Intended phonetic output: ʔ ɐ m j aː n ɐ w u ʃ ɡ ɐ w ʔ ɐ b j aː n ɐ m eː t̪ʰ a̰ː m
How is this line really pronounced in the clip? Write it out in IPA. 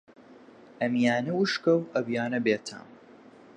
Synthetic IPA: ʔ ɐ m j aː n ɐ w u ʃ k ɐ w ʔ ɐ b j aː n ɐ b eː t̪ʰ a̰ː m